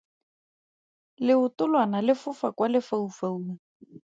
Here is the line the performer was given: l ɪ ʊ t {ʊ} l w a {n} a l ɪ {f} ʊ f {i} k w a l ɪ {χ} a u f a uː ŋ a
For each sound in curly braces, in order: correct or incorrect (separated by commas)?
correct, correct, correct, incorrect, incorrect